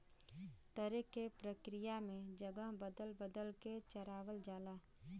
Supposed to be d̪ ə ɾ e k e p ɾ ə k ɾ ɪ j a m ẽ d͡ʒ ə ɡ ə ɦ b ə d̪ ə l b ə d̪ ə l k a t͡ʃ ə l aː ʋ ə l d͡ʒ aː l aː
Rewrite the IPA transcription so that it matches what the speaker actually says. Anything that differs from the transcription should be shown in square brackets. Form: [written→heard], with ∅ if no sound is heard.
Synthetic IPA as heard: [d̪→t̪] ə ɾ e k e p ɾ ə k ɾ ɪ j a m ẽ d͡ʒ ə ɡ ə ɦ b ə d̪ ə l b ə d̪ ə l k [a→e] t͡ʃ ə [l→ɾ] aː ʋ ə l d͡ʒ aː l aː